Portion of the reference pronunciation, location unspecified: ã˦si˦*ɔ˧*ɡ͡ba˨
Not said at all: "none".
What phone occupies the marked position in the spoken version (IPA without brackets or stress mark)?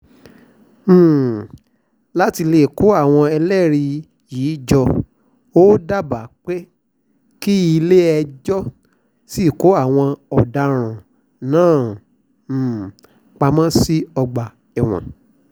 ɔ˧